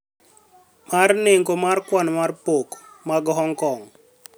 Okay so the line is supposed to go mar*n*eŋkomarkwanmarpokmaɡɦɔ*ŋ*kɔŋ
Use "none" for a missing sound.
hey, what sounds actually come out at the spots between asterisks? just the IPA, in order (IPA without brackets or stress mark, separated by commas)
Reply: n, ŋ